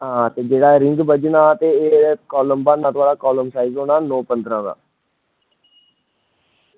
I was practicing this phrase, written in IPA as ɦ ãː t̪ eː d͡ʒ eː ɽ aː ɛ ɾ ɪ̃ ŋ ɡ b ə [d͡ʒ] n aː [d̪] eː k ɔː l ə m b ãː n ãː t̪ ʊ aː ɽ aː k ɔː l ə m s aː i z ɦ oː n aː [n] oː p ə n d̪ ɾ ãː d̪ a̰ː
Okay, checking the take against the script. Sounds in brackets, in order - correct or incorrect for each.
correct, incorrect: t̪, correct

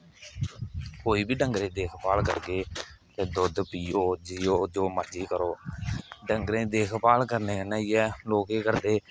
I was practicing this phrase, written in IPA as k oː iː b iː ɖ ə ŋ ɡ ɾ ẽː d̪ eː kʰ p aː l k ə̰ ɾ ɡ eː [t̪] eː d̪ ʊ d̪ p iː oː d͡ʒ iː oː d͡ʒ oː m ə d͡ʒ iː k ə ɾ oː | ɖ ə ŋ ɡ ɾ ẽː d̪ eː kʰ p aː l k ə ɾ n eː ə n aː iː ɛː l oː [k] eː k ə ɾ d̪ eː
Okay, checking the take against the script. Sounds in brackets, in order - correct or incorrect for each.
correct, correct

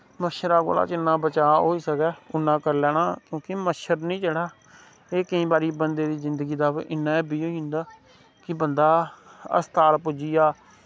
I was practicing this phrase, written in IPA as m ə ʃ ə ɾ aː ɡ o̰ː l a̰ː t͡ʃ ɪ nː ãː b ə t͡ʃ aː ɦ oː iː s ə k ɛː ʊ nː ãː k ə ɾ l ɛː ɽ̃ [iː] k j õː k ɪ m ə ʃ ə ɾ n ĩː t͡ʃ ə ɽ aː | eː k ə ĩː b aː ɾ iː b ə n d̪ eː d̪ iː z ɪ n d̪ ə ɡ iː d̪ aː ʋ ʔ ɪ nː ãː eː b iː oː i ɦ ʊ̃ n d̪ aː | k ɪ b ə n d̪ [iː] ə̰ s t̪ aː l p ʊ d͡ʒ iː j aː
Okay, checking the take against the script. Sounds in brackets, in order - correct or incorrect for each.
incorrect: aː, incorrect: aː

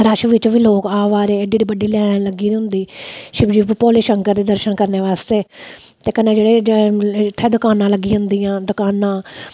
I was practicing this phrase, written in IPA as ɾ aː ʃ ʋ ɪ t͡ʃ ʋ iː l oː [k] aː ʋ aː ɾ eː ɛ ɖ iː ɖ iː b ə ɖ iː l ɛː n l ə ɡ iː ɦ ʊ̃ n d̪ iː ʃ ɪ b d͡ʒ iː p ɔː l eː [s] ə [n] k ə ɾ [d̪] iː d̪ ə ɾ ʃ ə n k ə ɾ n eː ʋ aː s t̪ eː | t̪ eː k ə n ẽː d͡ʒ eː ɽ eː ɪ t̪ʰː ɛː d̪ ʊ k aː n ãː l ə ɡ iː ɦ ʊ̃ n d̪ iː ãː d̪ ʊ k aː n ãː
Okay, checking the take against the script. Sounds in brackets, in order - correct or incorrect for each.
correct, incorrect: ʃ, incorrect: ŋ, correct

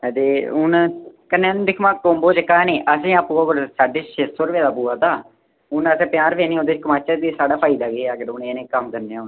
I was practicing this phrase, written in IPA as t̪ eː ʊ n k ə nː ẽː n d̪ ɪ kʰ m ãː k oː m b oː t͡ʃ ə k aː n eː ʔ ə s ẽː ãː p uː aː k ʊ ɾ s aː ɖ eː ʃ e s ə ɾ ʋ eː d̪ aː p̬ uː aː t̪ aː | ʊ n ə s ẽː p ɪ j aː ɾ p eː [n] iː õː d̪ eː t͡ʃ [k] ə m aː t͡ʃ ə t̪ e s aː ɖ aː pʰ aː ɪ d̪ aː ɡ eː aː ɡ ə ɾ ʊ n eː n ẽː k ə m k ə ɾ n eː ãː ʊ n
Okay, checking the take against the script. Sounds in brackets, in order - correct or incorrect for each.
correct, correct

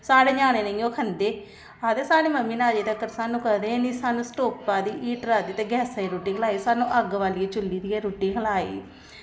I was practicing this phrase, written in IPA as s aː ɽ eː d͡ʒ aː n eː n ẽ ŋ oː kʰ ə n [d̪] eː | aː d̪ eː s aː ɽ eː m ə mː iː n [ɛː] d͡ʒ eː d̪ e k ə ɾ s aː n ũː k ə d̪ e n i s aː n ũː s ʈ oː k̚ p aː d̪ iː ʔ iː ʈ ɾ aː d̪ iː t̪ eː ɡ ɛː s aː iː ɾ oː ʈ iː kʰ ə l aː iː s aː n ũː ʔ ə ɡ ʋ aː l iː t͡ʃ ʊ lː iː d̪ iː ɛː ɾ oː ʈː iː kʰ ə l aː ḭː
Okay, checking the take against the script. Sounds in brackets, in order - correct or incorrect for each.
correct, incorrect: aː

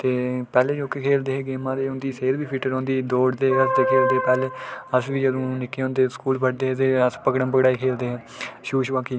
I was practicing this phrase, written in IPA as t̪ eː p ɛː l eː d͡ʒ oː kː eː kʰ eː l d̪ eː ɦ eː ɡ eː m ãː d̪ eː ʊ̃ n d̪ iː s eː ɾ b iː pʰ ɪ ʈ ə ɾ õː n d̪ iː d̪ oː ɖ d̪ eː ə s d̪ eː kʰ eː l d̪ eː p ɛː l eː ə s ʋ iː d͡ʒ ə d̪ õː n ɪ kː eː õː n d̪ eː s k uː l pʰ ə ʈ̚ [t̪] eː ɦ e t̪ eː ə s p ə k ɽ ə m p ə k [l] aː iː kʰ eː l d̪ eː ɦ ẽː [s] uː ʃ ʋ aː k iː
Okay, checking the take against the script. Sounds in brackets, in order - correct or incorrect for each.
incorrect: d̪, incorrect: ɽ, incorrect: ʃ

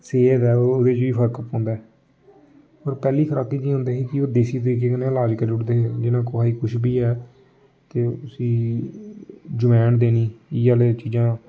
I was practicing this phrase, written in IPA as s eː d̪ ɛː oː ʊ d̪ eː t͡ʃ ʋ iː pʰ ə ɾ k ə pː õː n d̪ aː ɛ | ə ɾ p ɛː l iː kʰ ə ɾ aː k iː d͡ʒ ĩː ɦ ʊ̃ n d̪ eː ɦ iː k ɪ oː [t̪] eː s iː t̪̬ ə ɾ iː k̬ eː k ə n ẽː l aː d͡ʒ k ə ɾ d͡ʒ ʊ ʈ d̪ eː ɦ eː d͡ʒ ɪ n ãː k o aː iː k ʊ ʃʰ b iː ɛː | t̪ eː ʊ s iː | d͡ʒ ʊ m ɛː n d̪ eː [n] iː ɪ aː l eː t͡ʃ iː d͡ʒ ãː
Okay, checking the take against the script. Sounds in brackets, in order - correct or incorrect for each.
incorrect: d̪, correct

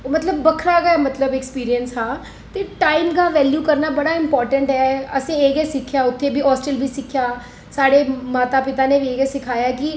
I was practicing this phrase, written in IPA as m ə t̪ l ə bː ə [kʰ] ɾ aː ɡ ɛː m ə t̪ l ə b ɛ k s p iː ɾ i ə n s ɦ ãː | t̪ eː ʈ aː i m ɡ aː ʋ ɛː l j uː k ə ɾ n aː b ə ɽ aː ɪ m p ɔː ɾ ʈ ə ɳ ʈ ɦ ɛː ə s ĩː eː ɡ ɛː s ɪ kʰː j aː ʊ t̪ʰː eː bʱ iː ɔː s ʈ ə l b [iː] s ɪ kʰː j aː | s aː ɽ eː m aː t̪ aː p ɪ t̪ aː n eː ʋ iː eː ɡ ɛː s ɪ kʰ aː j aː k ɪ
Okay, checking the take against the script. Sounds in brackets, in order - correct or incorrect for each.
correct, correct

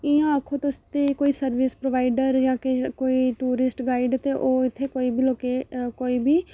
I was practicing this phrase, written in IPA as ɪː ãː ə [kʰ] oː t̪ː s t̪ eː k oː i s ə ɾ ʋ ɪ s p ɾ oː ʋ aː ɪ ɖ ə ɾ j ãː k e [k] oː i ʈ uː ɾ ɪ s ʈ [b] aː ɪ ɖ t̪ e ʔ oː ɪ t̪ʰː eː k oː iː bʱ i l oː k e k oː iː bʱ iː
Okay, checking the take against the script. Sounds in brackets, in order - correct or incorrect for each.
correct, correct, incorrect: ɡ

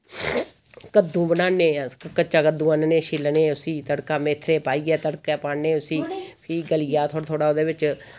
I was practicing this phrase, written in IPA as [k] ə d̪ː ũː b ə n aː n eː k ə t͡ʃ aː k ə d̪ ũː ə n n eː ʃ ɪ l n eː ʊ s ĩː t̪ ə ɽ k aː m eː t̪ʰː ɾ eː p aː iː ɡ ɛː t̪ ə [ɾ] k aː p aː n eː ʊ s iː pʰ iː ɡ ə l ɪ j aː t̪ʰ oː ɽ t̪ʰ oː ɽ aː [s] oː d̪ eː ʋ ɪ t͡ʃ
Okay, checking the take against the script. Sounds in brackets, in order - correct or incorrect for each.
correct, incorrect: ɽ, incorrect: none

